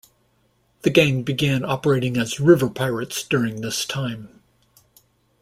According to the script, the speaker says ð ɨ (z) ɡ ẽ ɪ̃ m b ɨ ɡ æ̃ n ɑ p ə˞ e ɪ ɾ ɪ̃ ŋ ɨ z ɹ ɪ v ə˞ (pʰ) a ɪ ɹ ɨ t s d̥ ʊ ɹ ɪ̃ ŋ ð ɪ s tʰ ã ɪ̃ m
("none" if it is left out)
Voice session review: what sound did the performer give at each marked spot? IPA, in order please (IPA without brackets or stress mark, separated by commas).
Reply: none, pʰ